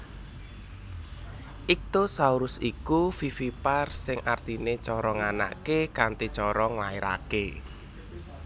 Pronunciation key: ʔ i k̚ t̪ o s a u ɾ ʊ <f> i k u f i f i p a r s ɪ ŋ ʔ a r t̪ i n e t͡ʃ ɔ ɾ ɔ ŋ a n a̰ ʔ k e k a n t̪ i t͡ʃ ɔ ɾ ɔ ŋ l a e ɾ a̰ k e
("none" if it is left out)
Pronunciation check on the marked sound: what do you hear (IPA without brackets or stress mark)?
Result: s